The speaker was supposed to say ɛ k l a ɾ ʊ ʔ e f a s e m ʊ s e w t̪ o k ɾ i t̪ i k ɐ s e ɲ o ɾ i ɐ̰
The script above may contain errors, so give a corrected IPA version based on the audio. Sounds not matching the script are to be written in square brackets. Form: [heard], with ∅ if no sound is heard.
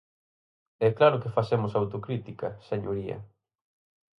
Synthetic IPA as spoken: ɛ k l a ɾ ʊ [k] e f a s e m ʊ s [a] w t̪ o k ɾ i t̪ i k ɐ s e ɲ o ɾ i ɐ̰